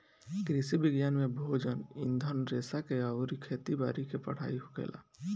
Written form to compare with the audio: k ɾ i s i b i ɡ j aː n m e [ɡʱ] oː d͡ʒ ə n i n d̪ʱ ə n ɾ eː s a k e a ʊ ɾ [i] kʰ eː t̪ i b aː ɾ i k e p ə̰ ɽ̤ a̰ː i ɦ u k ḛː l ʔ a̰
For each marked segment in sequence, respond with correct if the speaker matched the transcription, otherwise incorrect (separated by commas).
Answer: incorrect, correct